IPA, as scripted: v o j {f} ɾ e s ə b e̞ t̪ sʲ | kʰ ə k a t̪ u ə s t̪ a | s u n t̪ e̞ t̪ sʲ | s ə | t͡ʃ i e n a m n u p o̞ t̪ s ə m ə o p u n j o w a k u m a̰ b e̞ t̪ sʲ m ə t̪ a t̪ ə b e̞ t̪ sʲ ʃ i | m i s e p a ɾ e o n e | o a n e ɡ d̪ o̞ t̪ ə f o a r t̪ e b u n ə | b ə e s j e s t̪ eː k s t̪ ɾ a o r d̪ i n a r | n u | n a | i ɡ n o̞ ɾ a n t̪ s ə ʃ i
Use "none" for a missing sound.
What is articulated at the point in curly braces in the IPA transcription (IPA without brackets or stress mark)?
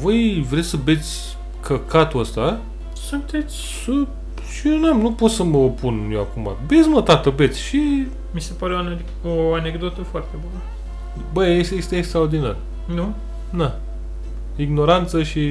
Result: v